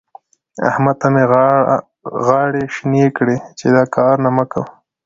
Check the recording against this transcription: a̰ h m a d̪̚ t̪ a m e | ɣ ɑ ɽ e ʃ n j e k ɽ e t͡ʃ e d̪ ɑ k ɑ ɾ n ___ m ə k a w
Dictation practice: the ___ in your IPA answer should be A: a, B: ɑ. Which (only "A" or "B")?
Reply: A